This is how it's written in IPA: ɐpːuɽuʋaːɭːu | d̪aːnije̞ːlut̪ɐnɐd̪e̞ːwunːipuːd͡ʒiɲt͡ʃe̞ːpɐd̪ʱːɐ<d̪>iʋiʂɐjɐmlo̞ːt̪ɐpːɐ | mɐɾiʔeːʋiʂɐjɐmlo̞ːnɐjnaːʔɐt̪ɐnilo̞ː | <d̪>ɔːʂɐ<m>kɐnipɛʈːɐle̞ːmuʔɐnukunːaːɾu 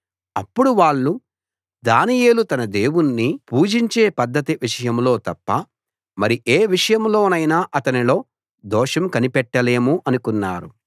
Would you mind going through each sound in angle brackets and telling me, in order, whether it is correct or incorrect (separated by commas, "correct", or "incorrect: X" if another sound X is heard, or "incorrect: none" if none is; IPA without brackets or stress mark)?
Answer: incorrect: t̪, correct, correct